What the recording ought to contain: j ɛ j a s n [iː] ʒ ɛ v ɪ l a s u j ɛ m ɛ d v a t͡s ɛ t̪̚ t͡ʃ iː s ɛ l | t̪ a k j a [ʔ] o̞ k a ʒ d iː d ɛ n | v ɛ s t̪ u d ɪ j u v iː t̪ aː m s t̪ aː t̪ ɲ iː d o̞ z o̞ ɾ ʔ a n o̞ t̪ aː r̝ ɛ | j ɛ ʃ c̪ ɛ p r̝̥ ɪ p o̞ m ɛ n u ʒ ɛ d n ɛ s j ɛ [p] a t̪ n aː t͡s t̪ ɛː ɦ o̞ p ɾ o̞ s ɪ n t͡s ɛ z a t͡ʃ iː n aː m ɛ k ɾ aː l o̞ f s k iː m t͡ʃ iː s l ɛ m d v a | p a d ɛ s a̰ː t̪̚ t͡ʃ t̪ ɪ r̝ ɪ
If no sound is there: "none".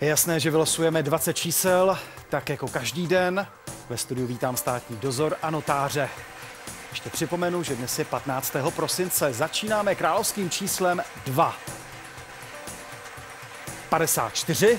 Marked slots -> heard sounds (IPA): ɛː, k, p

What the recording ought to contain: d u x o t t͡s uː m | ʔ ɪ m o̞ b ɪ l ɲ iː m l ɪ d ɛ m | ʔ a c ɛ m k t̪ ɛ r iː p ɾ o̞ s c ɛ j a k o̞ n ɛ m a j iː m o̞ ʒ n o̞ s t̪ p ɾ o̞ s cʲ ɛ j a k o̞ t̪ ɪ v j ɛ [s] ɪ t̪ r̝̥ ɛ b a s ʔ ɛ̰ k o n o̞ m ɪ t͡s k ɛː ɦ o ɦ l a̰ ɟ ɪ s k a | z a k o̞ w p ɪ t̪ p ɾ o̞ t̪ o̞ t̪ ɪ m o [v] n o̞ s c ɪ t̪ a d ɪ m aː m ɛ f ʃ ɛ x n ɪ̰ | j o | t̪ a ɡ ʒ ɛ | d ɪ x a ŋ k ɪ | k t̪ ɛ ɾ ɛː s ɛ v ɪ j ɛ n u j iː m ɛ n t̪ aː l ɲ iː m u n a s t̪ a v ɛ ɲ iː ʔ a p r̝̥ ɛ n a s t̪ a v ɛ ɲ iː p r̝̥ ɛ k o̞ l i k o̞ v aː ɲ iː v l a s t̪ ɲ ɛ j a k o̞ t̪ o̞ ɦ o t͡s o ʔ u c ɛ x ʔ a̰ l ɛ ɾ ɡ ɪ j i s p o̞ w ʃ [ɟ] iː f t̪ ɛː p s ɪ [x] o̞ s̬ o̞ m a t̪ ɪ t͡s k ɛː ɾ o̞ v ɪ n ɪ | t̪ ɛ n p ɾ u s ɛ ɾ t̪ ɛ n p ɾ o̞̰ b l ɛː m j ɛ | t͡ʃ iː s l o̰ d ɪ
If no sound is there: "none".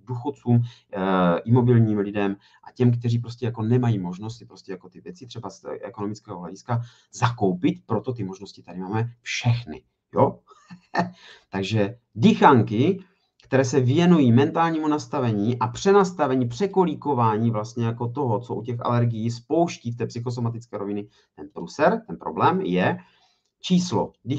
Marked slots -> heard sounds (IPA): t͡s, ʒ, c, x

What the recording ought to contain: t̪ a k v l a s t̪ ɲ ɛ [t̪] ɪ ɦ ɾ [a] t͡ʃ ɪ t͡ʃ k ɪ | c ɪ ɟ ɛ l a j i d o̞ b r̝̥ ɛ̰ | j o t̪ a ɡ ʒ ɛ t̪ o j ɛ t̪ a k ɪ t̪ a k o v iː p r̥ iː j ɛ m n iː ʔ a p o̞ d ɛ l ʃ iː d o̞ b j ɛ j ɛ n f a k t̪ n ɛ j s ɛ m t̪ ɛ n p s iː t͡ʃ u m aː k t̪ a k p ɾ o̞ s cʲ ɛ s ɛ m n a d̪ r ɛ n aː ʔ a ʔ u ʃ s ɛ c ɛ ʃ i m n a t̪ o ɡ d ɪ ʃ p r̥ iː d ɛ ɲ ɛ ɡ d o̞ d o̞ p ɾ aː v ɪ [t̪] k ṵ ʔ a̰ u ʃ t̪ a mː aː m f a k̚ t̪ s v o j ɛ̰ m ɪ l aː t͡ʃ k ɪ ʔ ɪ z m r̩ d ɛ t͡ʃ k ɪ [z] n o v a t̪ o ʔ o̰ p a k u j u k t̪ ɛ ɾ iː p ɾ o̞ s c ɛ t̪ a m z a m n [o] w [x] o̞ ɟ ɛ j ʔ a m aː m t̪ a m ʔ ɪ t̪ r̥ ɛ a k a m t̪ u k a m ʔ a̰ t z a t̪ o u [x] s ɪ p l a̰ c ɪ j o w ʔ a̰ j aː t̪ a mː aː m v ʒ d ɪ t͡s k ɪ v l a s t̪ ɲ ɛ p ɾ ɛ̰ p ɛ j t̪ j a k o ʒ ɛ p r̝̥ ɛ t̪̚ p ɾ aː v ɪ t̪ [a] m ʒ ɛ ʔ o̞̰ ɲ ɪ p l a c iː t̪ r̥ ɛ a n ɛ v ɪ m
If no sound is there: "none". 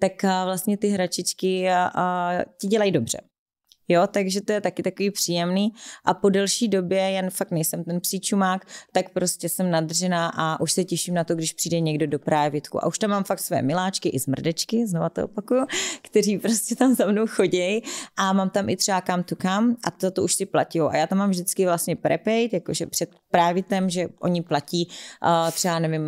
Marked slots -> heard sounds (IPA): t̪, a, t̪, z, o, x, ʃ, ɛ

